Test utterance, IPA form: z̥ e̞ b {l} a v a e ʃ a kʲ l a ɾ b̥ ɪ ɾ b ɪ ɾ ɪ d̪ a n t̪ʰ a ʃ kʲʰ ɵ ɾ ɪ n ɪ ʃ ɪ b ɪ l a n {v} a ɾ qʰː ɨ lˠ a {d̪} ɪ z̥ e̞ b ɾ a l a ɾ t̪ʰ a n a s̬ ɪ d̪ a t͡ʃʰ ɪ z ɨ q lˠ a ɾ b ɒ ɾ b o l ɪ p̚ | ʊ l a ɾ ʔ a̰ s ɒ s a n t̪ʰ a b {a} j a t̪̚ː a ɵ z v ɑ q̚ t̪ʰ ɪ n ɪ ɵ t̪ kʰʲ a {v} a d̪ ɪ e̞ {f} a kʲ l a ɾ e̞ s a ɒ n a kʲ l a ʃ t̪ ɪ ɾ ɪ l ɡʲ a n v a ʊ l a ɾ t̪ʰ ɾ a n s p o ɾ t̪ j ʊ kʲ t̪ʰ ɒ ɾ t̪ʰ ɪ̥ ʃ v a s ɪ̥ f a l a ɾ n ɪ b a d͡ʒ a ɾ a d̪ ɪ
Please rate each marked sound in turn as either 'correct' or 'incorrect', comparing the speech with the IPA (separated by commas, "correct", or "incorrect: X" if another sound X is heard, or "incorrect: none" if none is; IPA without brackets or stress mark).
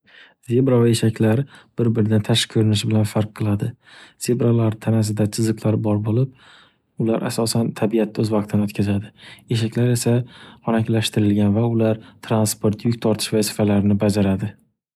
incorrect: ɾ, incorrect: f, correct, incorrect: i, incorrect: z, incorrect: ʃ